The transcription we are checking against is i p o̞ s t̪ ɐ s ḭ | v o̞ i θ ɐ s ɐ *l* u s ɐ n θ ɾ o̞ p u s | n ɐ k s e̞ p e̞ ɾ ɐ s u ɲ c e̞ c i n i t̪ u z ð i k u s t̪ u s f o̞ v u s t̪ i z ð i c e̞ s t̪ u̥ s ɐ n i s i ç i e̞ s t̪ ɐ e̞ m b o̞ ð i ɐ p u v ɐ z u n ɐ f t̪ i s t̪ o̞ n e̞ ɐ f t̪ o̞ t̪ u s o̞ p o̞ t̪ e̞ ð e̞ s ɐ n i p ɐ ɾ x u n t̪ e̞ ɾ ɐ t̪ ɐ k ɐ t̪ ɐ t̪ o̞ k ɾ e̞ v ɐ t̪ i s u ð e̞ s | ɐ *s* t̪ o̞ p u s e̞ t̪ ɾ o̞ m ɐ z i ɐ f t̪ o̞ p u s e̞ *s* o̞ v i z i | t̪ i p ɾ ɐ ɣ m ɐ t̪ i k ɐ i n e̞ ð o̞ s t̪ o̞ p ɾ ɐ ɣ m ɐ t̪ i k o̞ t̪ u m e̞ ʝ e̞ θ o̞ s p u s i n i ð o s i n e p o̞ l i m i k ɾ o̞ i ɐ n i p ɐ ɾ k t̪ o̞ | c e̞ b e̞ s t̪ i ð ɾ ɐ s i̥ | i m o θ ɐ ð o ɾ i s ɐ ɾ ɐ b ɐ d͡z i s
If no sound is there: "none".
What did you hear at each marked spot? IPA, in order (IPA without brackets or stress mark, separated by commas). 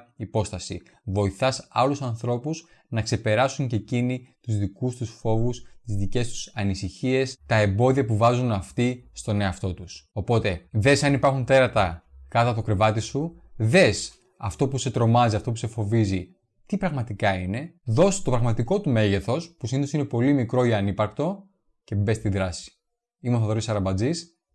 l, f, f